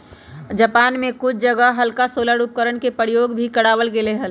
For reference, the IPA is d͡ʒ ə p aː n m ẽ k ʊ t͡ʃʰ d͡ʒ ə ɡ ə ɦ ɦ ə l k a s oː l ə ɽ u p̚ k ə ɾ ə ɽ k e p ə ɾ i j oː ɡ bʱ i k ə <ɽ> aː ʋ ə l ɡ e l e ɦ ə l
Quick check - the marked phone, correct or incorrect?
correct